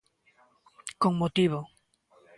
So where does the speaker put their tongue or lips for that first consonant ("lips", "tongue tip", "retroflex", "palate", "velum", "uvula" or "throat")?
velum